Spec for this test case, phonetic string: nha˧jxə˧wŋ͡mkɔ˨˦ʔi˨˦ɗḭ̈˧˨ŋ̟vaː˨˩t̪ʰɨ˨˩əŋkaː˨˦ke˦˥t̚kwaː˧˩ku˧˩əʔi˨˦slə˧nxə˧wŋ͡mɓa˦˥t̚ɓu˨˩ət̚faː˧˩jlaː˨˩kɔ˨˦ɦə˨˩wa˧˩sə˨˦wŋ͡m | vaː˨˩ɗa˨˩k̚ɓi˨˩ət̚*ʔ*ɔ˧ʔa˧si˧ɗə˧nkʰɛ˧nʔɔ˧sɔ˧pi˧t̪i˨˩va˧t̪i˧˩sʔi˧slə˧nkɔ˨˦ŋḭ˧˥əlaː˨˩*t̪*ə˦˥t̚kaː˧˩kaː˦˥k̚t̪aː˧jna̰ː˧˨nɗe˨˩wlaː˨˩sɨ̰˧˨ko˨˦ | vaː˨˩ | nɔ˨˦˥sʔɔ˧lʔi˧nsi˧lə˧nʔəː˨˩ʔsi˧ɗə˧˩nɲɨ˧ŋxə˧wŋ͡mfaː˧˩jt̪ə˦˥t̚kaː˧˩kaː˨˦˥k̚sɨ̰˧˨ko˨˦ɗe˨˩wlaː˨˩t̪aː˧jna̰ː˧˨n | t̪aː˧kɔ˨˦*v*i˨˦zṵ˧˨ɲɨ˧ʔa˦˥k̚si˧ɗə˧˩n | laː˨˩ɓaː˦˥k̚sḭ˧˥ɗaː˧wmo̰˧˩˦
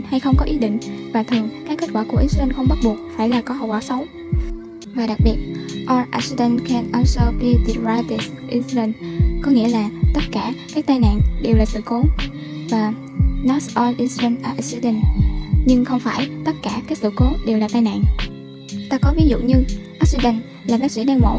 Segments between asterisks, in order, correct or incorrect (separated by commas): correct, correct, correct